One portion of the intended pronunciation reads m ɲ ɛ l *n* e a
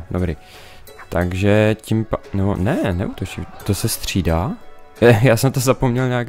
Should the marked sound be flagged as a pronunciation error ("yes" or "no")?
yes